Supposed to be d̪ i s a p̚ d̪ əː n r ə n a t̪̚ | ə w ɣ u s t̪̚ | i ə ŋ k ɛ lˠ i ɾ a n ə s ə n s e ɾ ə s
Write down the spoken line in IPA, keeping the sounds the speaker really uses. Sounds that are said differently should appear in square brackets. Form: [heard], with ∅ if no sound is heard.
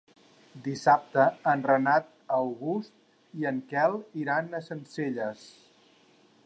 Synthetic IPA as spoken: d̪ i s a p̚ [t̪] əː n r ə n a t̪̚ | ə w ɣ u s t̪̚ | i ə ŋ k ɛ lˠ i ɾ a n ə s ə n s e [ʎ] ə s